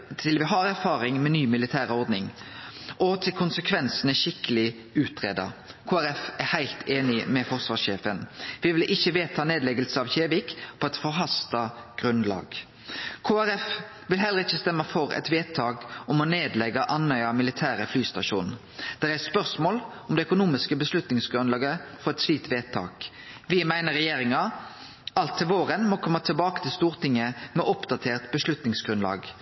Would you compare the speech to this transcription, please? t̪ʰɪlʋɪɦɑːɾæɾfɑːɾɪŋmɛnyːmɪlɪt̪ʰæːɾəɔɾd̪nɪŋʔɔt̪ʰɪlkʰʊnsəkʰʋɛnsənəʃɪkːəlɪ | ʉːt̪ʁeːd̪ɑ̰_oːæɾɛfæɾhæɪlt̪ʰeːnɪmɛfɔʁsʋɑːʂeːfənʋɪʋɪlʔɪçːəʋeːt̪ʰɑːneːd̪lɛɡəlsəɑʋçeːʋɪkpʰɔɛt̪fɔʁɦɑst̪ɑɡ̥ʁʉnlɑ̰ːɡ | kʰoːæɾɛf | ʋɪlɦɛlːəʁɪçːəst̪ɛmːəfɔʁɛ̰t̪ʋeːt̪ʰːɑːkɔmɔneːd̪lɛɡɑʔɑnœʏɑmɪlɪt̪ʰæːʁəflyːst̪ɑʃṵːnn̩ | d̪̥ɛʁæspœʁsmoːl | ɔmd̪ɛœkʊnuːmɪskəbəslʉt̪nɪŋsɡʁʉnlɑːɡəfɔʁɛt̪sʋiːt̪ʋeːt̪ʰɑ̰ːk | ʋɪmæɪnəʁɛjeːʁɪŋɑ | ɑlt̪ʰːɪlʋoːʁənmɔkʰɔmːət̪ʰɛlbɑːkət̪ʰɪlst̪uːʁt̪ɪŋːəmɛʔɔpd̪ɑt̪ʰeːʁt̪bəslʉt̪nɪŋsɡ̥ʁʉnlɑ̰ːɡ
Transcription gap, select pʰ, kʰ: kʰ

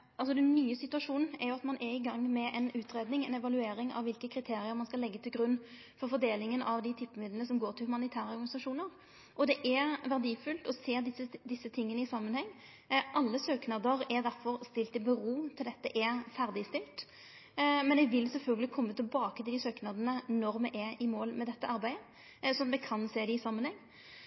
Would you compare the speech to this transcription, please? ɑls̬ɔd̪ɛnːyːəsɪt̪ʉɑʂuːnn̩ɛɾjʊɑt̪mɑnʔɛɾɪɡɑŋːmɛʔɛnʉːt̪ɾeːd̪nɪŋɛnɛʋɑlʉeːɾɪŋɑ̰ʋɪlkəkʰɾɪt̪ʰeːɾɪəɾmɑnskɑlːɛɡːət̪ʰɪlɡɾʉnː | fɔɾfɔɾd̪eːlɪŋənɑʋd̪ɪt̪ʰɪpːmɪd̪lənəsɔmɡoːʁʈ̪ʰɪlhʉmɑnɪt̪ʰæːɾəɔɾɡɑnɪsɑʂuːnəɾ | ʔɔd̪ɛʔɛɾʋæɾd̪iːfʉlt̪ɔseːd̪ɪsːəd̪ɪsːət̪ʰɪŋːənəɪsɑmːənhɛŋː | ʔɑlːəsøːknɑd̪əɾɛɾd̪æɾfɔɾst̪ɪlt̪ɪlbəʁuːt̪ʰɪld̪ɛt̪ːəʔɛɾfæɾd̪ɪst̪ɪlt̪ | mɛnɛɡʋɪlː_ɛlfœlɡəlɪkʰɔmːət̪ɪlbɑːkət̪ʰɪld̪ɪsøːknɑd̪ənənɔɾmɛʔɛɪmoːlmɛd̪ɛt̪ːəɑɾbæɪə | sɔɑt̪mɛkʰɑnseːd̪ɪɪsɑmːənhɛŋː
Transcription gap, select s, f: s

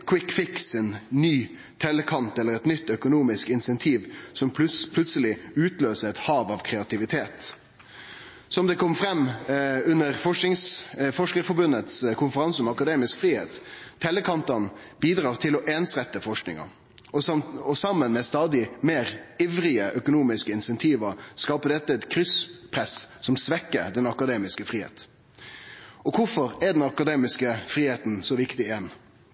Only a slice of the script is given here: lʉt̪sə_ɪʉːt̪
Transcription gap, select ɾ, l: l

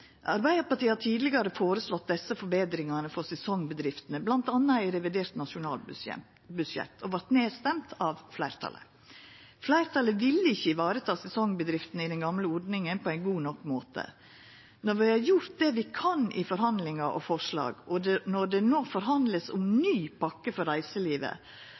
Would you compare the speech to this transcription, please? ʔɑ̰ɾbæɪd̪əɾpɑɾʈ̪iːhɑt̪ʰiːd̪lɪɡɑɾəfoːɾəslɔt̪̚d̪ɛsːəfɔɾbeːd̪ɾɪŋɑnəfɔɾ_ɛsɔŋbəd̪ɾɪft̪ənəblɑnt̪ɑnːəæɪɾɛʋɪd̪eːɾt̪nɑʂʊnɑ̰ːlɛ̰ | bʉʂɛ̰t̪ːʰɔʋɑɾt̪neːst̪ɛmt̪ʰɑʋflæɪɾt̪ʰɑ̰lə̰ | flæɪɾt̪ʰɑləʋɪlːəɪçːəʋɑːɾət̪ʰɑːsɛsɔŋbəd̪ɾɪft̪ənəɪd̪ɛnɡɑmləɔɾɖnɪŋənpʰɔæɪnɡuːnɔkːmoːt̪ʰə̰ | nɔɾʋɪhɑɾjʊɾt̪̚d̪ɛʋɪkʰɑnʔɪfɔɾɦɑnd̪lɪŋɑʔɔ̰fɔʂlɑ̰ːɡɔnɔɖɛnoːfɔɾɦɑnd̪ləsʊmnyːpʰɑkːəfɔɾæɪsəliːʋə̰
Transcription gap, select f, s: s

